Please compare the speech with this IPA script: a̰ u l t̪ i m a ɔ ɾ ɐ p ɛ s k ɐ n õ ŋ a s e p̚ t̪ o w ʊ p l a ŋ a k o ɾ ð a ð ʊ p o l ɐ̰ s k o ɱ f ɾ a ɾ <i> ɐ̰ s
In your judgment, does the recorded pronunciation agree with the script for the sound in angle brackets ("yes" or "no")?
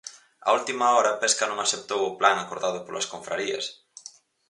yes